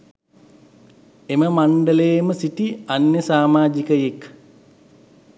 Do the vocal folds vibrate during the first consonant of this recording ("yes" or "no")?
yes